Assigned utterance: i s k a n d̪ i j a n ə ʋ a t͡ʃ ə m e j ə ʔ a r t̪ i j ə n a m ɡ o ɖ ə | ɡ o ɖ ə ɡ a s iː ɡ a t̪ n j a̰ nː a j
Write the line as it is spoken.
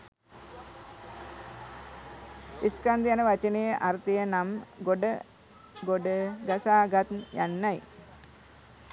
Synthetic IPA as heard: i s k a n d̪ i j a n ə ʋ a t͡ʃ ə n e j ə ʔ a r t̪ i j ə n a m ɡ o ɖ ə | ɡ o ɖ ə ɡ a s aː ɡ a t̪ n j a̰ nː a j